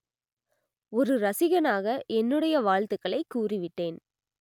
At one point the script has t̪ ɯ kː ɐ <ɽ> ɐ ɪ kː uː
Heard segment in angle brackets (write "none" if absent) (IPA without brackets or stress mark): ɭ